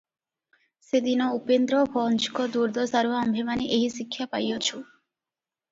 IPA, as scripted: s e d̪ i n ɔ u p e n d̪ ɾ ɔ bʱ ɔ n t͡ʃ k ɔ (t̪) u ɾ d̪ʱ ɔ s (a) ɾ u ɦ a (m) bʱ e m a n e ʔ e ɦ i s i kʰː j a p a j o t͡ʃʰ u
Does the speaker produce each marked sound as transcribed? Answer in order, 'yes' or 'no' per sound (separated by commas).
no, yes, yes